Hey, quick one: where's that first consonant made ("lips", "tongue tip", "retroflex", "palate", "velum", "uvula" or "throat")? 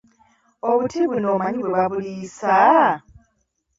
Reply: lips